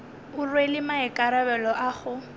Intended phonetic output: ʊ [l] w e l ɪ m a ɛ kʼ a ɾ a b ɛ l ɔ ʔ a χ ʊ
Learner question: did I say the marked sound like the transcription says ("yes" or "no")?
no